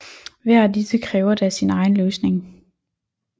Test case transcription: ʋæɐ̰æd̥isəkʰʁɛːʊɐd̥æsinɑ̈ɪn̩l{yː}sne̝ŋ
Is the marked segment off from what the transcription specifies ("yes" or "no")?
yes